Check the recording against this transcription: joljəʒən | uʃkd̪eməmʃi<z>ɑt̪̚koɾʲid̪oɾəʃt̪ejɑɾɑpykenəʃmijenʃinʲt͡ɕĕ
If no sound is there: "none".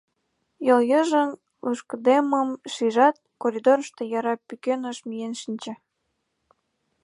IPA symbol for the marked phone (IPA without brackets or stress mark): ʒ